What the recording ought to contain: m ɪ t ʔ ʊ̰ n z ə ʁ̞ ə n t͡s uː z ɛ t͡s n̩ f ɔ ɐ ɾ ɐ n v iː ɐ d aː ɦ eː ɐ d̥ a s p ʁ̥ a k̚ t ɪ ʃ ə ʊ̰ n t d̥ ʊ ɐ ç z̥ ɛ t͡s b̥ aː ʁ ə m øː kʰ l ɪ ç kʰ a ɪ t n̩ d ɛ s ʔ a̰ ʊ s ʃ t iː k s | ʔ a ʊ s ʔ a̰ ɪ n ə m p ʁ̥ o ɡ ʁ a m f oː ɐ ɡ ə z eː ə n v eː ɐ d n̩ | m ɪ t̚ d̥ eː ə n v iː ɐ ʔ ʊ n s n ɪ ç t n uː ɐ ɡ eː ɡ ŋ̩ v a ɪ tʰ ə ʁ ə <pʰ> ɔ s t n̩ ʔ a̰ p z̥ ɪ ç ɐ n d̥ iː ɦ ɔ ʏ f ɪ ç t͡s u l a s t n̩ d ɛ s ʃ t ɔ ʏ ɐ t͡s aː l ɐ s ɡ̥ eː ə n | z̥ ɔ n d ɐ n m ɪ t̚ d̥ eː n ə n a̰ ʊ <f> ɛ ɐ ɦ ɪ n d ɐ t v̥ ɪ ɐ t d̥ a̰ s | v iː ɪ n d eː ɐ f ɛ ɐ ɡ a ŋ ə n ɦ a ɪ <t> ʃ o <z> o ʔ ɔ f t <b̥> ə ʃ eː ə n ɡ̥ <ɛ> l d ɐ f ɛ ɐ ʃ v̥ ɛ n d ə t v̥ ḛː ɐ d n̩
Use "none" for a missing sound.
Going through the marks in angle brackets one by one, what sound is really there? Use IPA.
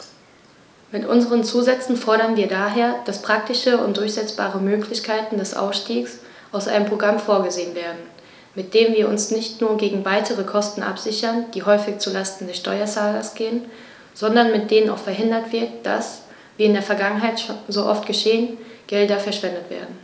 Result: kʰ, f, t, z, ɡ̥, ɛ

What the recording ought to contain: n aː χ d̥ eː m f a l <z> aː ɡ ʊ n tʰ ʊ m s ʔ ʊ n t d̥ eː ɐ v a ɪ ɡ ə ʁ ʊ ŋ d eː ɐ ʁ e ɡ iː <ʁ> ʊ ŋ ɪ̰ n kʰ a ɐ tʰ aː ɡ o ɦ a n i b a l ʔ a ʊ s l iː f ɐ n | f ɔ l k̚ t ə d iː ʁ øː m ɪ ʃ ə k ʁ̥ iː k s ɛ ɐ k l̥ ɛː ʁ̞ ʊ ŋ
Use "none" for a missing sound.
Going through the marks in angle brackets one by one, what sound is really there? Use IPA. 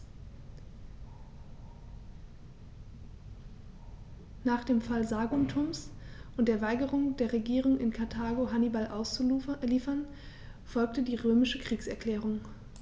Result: z, ʁ

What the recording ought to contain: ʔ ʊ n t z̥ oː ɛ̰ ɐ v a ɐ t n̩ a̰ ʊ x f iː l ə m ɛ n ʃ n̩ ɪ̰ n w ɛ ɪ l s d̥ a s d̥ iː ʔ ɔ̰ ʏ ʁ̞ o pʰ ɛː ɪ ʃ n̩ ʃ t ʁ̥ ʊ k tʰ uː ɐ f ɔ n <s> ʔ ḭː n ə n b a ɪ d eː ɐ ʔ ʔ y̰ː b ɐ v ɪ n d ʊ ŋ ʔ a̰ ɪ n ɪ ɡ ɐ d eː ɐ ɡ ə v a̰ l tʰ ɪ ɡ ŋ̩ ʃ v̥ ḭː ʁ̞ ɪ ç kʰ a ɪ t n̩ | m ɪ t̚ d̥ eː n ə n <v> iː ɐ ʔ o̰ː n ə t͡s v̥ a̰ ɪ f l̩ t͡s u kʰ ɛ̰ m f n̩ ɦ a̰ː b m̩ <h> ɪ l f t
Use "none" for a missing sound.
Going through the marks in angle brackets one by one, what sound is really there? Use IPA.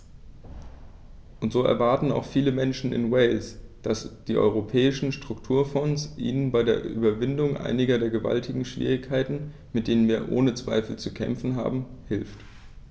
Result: s, v, h

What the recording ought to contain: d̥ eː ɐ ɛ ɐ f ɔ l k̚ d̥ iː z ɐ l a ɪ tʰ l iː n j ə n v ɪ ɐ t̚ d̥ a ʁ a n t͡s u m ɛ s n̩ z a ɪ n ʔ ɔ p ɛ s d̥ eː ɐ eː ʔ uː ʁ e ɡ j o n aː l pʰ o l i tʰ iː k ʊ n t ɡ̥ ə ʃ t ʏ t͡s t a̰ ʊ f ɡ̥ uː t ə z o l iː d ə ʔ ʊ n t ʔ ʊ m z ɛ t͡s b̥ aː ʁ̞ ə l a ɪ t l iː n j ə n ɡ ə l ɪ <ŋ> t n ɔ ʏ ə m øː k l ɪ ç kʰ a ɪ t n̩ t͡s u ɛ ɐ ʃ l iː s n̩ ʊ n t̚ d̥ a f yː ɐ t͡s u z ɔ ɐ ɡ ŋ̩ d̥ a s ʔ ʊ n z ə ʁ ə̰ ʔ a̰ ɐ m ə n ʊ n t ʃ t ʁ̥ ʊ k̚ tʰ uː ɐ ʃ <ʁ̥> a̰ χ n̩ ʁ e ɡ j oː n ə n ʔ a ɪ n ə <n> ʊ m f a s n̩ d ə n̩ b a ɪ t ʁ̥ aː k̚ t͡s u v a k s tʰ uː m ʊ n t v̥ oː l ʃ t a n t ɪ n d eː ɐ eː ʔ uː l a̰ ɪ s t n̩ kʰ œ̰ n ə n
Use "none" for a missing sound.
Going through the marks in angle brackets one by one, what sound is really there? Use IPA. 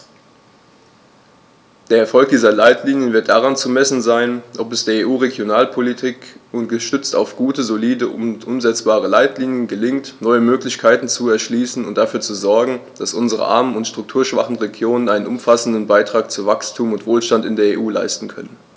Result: ŋ, v̥, n

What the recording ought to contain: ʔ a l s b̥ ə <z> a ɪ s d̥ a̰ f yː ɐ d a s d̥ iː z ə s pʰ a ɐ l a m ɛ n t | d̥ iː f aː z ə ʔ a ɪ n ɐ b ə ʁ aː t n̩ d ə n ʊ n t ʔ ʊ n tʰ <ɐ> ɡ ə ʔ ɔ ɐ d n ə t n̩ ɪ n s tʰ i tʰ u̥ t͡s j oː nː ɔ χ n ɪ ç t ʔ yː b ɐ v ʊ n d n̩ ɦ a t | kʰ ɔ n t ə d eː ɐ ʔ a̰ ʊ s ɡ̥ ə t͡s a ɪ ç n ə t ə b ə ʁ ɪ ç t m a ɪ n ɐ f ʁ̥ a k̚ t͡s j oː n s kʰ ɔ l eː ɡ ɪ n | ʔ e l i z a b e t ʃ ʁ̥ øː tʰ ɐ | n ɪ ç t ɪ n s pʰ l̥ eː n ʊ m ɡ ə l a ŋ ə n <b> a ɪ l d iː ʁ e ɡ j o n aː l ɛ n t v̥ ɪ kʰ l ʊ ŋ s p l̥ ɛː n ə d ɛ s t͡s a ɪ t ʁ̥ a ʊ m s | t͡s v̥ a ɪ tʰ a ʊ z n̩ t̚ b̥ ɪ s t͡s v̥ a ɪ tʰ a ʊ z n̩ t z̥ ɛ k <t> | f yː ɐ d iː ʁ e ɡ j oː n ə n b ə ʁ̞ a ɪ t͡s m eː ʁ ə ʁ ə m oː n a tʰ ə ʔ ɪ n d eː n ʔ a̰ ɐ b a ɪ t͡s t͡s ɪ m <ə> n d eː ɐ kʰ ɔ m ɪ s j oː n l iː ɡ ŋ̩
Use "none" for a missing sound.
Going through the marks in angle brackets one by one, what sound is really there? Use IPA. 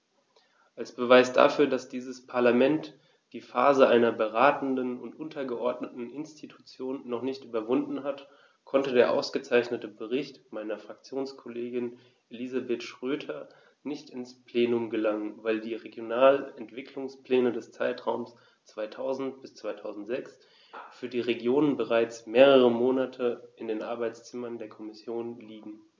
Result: v, ɐ, v, s, ɐ

